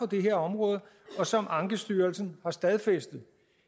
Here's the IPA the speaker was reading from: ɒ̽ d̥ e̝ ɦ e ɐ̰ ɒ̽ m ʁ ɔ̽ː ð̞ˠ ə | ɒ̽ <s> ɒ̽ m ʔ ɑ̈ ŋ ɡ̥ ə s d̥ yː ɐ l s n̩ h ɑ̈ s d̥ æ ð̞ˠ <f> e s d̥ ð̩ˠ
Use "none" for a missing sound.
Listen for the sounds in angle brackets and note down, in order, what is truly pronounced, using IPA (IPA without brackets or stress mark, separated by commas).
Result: s, f